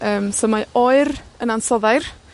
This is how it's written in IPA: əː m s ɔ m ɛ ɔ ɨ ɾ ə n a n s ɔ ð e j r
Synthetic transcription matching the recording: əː m s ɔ m a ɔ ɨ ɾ ə n a n s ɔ ð a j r